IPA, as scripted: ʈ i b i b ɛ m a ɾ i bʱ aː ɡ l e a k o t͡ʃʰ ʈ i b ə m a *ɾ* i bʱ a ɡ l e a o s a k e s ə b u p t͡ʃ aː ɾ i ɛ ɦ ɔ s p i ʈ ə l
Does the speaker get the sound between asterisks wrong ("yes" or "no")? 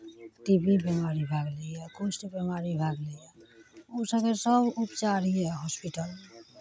no